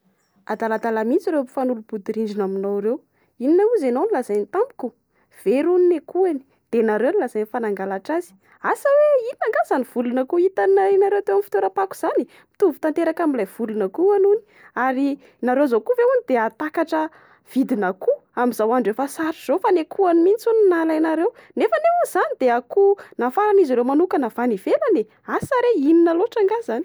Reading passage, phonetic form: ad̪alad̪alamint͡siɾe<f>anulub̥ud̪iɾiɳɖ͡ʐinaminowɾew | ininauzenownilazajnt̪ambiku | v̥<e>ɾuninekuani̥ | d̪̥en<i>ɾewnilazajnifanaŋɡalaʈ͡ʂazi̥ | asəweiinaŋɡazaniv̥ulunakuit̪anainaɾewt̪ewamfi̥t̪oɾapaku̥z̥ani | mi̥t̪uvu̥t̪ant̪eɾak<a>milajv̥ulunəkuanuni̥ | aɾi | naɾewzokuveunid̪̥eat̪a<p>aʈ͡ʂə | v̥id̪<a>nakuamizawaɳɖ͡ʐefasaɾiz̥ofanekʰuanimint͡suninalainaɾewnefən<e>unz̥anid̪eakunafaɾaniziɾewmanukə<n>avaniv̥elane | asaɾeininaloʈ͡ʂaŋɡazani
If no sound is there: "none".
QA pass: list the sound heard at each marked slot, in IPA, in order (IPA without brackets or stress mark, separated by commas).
f, e, a, a, k, i, e, n